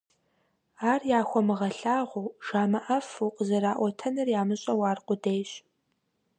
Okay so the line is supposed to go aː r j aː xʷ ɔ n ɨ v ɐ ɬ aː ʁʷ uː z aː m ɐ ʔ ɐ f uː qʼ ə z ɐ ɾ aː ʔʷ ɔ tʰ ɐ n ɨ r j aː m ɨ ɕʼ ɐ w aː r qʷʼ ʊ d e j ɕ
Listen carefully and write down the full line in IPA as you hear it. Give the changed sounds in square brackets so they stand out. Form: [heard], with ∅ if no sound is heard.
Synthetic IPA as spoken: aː r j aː xʷ ɔ [m] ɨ [ʁ] ɐ ɬ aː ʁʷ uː [ʒ] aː m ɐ ʔ ɐ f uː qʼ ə z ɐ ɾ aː ʔʷ ɔ tʰ ɐ n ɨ r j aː m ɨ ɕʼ ɐ w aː r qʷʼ ʊ d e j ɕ